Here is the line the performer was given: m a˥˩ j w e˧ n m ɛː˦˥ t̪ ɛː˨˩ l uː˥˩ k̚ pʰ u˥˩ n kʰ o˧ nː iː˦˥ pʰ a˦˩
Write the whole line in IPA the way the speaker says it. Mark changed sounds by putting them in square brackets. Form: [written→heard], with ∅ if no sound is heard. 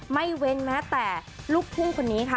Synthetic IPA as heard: m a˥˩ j w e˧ n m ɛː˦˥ t̪ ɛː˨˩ l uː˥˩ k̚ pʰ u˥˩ [n→ŋ] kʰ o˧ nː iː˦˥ [pʰ→kʰ] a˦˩